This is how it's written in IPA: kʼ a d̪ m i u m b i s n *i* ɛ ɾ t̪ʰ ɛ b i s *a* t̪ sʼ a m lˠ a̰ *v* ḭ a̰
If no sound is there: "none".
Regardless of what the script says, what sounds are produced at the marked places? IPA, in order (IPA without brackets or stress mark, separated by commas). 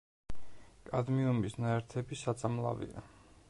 a, a, v